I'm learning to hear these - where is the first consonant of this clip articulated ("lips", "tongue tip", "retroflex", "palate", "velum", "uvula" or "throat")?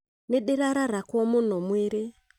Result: tongue tip